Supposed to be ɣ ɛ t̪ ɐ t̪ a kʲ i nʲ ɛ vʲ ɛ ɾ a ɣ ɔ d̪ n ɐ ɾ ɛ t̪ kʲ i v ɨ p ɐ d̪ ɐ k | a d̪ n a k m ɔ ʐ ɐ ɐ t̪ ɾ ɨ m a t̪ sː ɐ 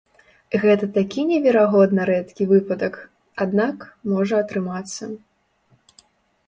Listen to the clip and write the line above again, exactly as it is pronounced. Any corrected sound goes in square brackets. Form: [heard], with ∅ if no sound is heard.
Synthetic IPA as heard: ɣ ɛ t̪ ɐ t̪ a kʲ i nʲ ɛ vʲ ɛ ɾ a ɣ ɔ d̪ n ɐ ɾ ɛ t̪ kʲ i v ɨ p ɐ d̪ ɐ k | a d̪ n a k m ɔ ʐ ɐ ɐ t̪ ɾ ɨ m a t̪ sː ɐ